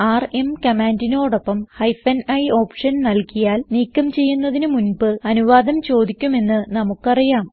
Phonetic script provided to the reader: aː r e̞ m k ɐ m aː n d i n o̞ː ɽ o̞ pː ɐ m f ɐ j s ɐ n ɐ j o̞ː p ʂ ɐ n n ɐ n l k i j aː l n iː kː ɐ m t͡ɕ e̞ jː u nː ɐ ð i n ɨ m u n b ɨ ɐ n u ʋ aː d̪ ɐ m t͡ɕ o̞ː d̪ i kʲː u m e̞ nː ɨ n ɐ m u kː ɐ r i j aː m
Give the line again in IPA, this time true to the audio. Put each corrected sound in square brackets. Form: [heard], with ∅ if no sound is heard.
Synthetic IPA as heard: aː r e̞ m k ɐ m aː n d i n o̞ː ɽ o̞ pː ɐ m [h] ɐ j [f] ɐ n ɐ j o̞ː p ʂ ɐ n n ɐ [∅] l k i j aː l n iː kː ɐ m t͡ɕ e̞ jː u nː ɐ ð i n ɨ m u n b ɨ ɐ n u ʋ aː d̪ ɐ m t͡ɕ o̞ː d̪ i kʲː u m e̞ nː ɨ n ɐ m u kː ɐ r i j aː m

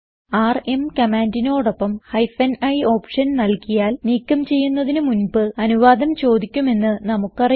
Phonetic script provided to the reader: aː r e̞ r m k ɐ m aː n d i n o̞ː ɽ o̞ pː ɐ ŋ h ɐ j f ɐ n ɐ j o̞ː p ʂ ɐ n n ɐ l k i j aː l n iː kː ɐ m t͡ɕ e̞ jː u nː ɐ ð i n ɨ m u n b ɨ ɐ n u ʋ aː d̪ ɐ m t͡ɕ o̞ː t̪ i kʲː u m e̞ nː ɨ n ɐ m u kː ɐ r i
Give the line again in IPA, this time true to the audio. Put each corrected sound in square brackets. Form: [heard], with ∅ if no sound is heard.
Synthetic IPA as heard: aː r e̞ [∅] m k ɐ m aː n d i n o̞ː ɽ o̞ pː ɐ [m] h ɐ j f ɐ n ɐ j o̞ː p ʂ ɐ n n ɐ l k i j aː l n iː kː ɐ m t͡ɕ e̞ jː u nː ɐ ð i n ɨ m u n b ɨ ɐ n u ʋ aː d̪ ɐ m t͡ɕ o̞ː [d̪] i kʲː u m e̞ nː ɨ n ɐ m u kː ɐ r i

